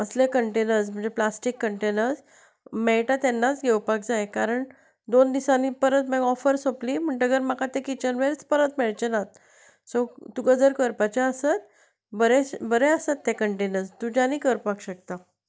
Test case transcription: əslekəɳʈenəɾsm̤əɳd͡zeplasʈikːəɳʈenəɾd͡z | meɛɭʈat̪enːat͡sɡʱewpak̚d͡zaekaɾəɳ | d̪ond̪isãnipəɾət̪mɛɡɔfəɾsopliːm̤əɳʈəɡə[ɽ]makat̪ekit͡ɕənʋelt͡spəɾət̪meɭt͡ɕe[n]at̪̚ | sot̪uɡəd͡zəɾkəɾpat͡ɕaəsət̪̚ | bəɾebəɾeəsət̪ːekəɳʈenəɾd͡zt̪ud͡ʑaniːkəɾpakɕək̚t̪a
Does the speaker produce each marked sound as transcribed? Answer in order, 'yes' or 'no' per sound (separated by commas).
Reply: no, yes